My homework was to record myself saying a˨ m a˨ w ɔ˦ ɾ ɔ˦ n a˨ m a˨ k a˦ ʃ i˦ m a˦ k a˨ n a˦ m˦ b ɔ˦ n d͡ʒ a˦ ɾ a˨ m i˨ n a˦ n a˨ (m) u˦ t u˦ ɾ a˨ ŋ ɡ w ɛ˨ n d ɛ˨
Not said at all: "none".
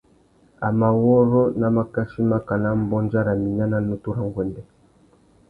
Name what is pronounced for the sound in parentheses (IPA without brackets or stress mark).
n